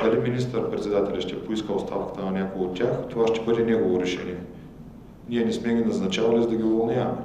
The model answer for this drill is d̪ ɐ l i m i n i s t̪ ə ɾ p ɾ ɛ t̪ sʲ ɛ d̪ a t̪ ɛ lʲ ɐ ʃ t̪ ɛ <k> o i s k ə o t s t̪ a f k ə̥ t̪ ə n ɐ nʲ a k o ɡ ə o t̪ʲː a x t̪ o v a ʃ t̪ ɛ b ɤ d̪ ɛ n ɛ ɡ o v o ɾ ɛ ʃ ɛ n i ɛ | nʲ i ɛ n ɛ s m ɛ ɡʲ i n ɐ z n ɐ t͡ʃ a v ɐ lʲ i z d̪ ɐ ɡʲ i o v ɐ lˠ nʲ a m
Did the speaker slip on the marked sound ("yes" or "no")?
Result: yes